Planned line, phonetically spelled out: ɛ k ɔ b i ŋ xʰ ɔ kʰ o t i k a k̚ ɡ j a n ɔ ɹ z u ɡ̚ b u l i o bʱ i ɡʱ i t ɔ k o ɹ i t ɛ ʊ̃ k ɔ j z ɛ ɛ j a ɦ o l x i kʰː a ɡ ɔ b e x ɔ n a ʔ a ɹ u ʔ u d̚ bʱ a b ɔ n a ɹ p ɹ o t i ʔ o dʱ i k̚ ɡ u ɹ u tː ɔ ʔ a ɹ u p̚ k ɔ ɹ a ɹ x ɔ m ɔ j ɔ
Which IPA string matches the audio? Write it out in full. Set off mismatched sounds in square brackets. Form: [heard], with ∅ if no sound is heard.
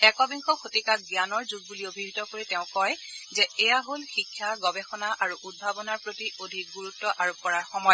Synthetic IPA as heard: ɛ k ɔ b i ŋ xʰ ɔ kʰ o t i k a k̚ ɡ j a n ɔ ɹ z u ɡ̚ b u l i o bʱ i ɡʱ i t ɔ k o ɹ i t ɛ ʊ̃ k ɔ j z ɛ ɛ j a ɦ o l x i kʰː a ɡ ɔ b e x ɔ n a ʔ a ɹ u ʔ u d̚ bʱ a b ɔ n a ɹ p ɹ o t i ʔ o dʱ i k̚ ɡ u ɹ u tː ɔ ʔ a ɹ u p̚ k ɔ ɹ a ɹ x ɔ m ɔ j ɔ